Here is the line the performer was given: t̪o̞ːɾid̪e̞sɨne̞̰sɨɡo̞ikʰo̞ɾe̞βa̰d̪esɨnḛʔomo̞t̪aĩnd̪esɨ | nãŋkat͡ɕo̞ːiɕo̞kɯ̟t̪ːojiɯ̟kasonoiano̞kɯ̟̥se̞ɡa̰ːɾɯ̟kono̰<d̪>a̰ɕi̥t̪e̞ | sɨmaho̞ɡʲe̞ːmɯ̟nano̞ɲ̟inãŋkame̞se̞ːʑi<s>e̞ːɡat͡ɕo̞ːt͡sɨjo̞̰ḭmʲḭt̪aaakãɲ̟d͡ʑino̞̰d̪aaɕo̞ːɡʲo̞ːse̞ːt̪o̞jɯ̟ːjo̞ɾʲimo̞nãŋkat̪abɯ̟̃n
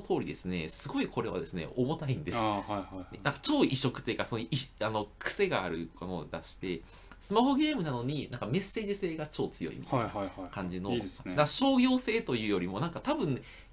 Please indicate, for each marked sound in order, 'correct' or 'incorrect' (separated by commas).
correct, correct